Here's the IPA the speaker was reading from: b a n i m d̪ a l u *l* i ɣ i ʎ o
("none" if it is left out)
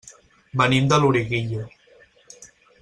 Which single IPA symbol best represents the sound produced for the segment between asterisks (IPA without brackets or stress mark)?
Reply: ɾ